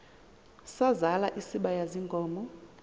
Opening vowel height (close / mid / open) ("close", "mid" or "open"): open